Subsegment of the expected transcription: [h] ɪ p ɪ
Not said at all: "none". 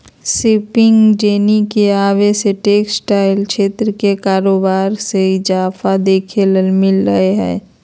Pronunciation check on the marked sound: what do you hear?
s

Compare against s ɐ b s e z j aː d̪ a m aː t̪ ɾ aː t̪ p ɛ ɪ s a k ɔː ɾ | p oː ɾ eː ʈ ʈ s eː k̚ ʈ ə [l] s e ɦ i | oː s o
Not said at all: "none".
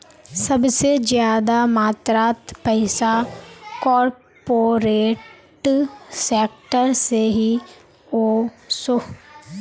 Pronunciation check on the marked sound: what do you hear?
ɾ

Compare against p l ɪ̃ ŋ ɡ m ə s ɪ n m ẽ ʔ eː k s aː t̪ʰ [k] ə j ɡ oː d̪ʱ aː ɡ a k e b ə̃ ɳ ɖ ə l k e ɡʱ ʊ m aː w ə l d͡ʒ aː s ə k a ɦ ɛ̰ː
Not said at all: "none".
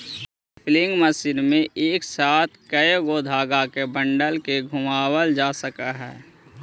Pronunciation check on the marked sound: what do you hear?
k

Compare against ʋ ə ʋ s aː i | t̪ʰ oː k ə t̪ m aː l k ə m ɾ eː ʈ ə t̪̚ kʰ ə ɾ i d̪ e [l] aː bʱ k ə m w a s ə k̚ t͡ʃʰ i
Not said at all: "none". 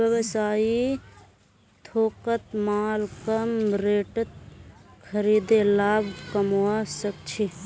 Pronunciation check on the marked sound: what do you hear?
l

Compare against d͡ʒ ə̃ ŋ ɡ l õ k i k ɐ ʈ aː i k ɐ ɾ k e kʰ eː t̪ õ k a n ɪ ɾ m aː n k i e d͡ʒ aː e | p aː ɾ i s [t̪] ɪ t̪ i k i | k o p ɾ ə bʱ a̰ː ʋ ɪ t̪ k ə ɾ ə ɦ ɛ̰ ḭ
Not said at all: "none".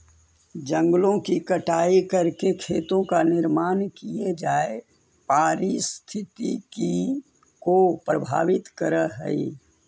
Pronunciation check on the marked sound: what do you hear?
t̪ʰ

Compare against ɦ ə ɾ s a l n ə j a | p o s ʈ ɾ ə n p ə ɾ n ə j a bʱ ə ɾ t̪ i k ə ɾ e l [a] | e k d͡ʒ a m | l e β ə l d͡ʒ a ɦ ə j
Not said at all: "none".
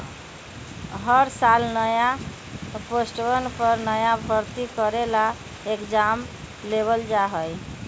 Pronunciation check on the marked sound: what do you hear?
a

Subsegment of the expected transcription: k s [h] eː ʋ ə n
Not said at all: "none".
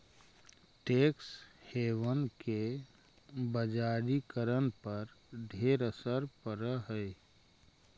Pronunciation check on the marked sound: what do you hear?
h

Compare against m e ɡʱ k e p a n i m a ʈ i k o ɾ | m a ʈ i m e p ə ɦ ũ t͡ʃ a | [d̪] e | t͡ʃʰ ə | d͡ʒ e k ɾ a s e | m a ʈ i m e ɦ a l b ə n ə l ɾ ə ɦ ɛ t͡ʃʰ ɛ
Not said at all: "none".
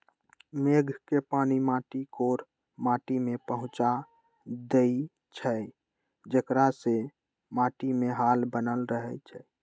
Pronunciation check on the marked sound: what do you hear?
d̪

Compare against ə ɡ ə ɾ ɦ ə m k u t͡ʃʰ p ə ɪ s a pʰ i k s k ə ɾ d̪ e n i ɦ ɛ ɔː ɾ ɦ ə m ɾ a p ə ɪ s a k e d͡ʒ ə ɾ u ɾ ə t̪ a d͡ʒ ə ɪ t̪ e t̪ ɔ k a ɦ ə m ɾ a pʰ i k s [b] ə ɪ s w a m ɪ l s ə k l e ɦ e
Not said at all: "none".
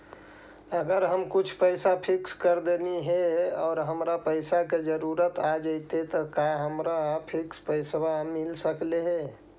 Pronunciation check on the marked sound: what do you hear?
p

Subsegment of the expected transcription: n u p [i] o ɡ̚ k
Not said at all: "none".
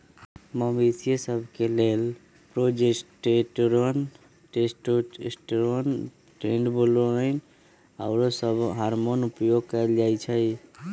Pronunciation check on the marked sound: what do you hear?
j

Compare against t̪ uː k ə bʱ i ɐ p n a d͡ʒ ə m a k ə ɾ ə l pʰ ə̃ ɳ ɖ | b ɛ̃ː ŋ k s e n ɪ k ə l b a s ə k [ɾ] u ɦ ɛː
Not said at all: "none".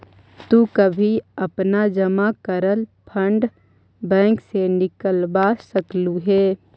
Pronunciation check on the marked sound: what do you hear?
l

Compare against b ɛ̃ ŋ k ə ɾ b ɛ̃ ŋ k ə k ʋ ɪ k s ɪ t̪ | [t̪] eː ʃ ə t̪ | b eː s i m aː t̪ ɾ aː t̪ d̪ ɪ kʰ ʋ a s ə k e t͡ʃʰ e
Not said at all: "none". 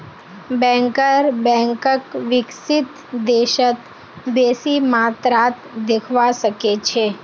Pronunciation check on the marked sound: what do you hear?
d̪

